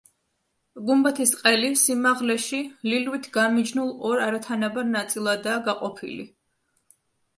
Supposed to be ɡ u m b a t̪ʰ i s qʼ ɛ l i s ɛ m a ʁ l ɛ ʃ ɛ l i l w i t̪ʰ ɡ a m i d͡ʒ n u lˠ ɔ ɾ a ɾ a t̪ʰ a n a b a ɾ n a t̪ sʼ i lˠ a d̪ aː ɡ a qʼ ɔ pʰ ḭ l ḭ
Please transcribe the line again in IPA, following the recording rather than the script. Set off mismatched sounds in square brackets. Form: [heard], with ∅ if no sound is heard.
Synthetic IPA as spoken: ɡ u m b a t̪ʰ i s qʼ ɛ l i s [i] m a ʁ l ɛ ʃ [i] l i l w i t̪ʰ ɡ a m i d͡ʒ n u lˠ ɔ ɾ a ɾ a t̪ʰ a n a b a ɾ n a t̪ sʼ i lˠ a d̪ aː ɡ a qʼ ɔ pʰ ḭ l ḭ